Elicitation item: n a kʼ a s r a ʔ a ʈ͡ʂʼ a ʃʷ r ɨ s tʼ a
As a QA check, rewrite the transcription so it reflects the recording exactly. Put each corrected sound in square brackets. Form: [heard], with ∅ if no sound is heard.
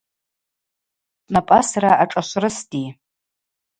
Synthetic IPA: n a [pʼ] a s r a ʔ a ʈ͡ʂʼ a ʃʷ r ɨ s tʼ [i]